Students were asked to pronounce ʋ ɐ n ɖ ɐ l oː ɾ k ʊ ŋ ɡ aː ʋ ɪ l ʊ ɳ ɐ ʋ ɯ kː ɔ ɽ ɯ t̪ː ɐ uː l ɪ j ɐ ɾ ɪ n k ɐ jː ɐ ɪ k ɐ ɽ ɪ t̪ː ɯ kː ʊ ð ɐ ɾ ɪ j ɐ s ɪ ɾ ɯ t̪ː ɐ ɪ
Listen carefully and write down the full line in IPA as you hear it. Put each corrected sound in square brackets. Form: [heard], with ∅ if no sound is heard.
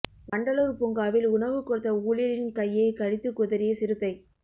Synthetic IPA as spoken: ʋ ɐ [ɳ] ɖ ɐ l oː ɾ [p] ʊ ŋ ɡ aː ʋ ɪ l ʊ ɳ ɐ ʋ ɯ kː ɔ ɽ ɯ t̪ː ɐ uː l ɪ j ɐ ɾ ɪ n k ɐ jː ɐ ɪ k ɐ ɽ ɪ t̪ː ɯ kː ʊ ð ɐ ɾ ɪ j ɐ s ɪ ɾ ɯ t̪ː ɐ ɪ